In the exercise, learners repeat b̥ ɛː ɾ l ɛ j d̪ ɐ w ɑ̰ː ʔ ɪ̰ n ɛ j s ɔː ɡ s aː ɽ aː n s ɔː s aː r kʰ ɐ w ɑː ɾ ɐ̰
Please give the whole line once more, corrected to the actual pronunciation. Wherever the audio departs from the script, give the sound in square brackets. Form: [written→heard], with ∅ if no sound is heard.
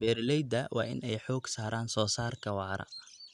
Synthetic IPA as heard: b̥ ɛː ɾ l ɛ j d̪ ɐ w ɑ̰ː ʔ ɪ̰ n ɛ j [s→ħ] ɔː ɡ s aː [ɽ→ɾ] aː n s ɔː s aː r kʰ ɐ w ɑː ɾ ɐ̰